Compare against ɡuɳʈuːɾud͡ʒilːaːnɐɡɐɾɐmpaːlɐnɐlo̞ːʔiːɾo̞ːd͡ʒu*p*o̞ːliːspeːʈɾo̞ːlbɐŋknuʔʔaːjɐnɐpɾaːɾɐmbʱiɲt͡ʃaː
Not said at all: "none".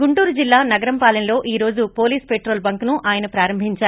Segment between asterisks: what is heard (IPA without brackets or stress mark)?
p